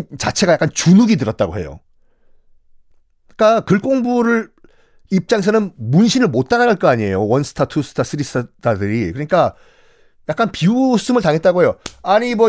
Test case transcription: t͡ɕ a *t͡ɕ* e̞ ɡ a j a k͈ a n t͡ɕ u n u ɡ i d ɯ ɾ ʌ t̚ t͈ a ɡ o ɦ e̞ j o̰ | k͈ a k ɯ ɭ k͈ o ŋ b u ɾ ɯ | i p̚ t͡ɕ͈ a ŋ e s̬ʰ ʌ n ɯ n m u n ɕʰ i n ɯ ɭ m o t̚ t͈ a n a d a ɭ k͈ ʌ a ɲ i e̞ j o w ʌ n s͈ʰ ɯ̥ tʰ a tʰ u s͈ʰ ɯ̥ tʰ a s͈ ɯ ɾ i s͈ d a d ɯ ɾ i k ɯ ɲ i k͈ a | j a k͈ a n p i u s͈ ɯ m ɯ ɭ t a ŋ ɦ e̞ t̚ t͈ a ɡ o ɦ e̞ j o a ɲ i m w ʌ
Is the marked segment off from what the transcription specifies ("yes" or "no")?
yes